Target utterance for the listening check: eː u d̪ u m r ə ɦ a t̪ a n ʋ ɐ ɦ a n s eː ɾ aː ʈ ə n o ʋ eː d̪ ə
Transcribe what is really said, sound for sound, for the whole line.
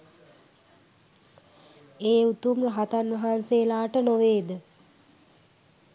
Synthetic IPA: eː u t̪ u m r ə ɦ a t̪ a n ʋ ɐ ɦ a n s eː l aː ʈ ə n o ʋ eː d̪ ə